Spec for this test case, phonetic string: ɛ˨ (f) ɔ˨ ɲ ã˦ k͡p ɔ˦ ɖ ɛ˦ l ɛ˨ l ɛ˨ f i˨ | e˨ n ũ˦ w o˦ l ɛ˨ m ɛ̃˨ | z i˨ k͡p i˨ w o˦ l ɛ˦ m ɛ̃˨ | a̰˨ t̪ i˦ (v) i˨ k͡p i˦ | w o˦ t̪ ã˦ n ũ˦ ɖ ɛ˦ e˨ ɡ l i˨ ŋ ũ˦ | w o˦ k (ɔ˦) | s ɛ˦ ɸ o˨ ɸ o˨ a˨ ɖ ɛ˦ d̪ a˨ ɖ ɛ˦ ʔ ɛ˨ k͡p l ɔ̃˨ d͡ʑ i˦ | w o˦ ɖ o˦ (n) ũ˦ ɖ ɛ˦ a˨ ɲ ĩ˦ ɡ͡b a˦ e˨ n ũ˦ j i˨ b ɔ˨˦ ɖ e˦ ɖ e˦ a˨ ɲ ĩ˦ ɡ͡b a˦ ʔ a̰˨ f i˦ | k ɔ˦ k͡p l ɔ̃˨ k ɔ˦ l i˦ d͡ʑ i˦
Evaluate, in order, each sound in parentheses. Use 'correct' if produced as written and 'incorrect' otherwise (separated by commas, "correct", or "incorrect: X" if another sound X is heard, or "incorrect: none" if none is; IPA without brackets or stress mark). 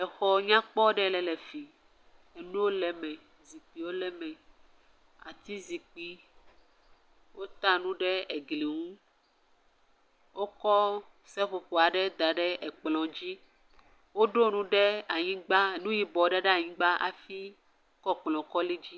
incorrect: x, incorrect: z, correct, correct